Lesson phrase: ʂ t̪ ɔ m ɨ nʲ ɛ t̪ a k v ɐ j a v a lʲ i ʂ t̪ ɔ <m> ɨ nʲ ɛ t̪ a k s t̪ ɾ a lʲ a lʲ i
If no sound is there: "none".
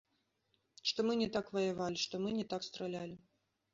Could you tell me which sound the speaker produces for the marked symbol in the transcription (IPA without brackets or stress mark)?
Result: m